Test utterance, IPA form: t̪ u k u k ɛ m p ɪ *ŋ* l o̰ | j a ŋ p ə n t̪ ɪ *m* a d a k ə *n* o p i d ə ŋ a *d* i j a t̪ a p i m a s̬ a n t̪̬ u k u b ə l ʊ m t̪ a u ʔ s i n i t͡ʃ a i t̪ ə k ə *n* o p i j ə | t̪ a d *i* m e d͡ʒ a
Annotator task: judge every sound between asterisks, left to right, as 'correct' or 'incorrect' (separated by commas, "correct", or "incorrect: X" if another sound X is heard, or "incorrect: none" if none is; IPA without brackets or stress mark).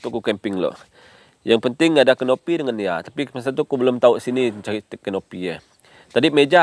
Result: correct, incorrect: ŋ, correct, incorrect: n, correct, correct